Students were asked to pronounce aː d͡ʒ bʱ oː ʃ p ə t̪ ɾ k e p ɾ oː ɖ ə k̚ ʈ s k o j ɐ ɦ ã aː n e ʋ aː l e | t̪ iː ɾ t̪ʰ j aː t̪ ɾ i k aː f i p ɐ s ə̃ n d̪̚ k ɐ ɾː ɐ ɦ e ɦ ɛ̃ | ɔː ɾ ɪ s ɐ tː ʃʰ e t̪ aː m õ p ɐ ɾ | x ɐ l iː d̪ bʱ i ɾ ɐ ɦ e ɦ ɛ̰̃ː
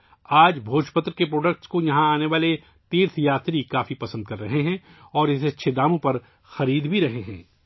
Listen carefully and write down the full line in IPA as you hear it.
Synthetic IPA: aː d͡ʒ bʱ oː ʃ p ə t̪ ɾ k e p ɾ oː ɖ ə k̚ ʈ s k o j ɐ ɦ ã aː n e ʋ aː l e | t̪ iː ɾ t̪ʰ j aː t̪ ɾ i k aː f i p ɐ s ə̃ n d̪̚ k ɐ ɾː ɐ ɦ e ɦ ɛ̃ | ɔː ɾ ɪ s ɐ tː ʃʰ e d̪ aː m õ p ɐ ɾ | x ɐ ɾ iː d̪ bʱ i ɾ ɐ ɦ e ɦ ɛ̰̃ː